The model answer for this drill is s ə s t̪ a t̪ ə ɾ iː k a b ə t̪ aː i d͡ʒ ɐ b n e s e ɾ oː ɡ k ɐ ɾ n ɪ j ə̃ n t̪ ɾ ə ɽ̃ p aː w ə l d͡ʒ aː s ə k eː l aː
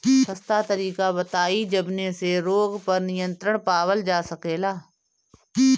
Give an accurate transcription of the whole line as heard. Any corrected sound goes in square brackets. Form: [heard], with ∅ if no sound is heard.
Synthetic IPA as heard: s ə s t̪ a t̪ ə ɾ iː k a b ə t̪ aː i d͡ʒ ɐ b n e s e ɾ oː ɡ [p] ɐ ɾ n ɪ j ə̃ n t̪ ɾ ə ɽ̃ p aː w ə l d͡ʒ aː s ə k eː l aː